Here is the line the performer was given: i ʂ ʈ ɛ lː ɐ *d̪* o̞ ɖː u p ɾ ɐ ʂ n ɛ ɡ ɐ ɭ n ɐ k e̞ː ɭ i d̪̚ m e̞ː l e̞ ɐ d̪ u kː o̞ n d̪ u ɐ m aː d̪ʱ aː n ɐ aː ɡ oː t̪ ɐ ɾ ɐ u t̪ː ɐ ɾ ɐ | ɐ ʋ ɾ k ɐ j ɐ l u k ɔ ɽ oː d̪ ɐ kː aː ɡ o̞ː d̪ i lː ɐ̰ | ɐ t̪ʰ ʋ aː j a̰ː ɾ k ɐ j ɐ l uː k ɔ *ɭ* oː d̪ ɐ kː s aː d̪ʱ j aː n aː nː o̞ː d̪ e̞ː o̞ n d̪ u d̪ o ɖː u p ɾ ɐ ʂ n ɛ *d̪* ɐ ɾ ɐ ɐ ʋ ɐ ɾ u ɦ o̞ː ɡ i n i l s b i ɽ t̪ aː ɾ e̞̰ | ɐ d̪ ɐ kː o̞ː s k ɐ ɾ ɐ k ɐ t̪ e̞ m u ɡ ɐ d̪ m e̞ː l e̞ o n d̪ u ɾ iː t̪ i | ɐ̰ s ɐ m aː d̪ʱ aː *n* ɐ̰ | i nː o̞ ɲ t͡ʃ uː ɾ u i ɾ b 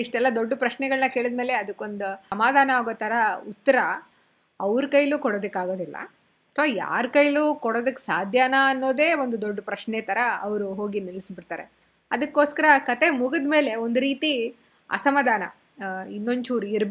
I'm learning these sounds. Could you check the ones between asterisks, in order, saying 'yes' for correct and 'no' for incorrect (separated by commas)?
yes, no, no, yes